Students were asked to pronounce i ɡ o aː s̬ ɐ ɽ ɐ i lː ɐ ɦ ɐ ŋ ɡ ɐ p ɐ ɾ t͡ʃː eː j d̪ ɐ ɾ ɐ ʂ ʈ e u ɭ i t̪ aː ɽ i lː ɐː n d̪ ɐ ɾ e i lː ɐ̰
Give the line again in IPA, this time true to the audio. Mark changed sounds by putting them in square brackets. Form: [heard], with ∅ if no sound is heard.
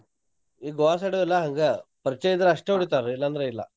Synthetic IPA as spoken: i ɡ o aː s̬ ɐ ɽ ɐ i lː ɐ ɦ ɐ ŋ ɡ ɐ p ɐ ɾ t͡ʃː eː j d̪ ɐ ɾ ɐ ʂ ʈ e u [ɽ] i t̪ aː [ɾ] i lː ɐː n d̪ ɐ ɾ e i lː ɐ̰